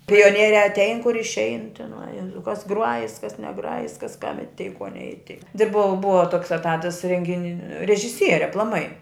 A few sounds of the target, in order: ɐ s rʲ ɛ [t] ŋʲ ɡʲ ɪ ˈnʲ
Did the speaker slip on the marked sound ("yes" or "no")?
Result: yes